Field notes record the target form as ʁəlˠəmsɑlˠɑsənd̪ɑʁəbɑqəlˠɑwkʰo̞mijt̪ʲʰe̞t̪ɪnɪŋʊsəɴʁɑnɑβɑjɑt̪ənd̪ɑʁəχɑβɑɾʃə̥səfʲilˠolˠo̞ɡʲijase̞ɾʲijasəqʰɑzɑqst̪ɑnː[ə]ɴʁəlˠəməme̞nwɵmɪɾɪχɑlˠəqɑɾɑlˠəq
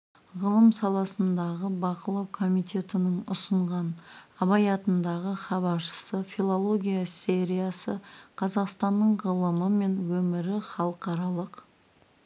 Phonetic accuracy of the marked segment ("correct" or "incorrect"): correct